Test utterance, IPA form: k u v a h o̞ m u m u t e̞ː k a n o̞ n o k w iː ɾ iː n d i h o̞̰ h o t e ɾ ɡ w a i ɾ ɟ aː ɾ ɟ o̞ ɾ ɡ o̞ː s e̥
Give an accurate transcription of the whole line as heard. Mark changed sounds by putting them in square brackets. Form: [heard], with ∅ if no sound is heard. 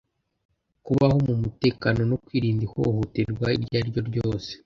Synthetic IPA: k u [β] a h o̞ m u m u t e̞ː k a n o̞ n o k w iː ɾ iː n d i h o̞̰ h o t e ɾ ɡ w a i ɾ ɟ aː ɾ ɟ o̞ ɾ [ɟ] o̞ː s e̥